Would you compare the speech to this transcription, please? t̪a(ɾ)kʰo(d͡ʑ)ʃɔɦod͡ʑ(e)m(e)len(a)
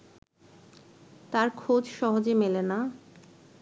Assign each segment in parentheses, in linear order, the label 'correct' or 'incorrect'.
correct, correct, correct, correct, correct

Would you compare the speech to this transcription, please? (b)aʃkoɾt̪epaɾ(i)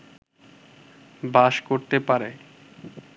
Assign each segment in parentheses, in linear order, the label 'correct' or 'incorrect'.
correct, incorrect: e

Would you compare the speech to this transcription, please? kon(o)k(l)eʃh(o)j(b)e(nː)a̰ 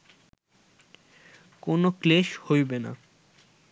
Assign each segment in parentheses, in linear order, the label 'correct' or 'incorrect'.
correct, correct, correct, correct, incorrect: n

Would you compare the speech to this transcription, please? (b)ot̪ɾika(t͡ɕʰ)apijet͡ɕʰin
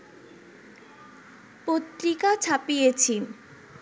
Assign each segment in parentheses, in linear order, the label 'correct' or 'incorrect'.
incorrect: p, correct

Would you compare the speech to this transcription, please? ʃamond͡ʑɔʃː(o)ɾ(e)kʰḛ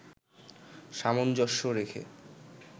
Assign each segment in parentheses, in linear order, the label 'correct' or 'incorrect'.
correct, correct

